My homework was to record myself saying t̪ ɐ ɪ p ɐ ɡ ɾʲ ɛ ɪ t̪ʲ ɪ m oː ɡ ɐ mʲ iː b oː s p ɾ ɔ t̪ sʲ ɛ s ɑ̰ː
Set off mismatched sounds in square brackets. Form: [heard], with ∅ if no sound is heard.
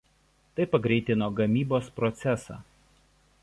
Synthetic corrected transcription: t̪ ɐ ɪ p ɐ ɡ ɾʲ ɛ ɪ t̪ʲ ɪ [n] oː ɡ ɐ mʲ iː b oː s p ɾ ɔ t̪ sʲ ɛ s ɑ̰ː

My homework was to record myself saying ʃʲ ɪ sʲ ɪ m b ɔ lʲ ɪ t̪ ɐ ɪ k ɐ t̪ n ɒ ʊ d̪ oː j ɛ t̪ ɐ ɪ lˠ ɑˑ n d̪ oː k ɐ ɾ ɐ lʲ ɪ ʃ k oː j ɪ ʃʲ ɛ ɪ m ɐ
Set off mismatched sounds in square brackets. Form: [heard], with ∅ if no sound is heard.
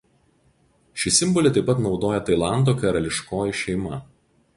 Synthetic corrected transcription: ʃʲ ɪ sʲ ɪ m b ɔ lʲ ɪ t̪ ɐ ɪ [p] ɐ t̪ n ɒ ʊ d̪ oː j ɛ t̪ ɐ ɪ lˠ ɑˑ n d̪ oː k ɐ ɾ ɐ lʲ ɪ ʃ k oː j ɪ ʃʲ ɛ ɪ m ɐ

